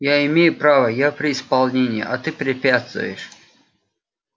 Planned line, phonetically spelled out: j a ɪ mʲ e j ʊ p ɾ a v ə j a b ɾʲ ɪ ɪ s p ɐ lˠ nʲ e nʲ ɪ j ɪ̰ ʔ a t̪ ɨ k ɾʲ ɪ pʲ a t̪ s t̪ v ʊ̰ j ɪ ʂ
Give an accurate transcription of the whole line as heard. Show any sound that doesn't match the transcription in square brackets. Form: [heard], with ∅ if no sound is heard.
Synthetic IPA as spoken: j a ɪ mʲ e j ʊ p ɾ a v ə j a [p] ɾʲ ɪ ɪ s p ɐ lˠ nʲ e nʲ ɪ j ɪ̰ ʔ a t̪ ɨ [p] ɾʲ ɪ pʲ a t̪ s t̪ v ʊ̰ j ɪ ʂ